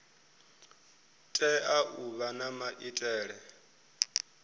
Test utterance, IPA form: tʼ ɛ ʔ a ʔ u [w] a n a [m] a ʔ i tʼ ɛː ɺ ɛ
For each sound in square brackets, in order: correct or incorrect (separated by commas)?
incorrect, correct